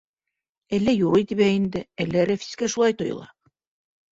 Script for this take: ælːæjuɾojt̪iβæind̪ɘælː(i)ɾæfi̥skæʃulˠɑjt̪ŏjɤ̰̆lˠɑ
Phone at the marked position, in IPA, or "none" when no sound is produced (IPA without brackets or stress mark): æ